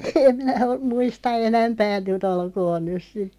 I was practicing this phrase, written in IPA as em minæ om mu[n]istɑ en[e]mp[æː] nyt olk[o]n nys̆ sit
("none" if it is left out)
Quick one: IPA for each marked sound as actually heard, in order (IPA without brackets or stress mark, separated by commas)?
none, æ, æː, oː